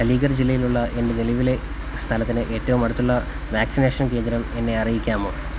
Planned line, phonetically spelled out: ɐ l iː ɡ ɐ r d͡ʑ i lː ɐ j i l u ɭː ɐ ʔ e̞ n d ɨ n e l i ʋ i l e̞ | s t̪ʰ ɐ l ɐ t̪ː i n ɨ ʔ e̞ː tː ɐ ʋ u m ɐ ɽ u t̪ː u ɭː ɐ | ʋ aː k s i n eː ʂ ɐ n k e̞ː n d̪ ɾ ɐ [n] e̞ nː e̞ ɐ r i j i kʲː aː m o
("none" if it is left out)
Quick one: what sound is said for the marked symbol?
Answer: m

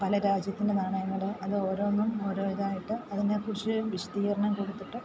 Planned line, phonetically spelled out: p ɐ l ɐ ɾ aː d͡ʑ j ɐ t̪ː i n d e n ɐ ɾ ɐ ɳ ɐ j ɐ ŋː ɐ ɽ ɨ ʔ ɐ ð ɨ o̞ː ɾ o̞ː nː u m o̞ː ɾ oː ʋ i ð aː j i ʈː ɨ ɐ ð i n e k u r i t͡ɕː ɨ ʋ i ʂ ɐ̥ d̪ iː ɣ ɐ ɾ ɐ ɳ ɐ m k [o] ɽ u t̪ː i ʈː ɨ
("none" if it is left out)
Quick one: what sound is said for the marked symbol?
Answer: o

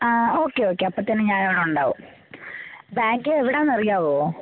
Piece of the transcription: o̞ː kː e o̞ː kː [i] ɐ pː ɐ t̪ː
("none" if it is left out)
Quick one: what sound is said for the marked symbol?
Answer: e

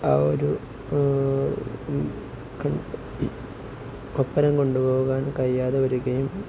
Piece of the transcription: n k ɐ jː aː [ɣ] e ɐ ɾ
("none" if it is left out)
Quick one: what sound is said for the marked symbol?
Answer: ð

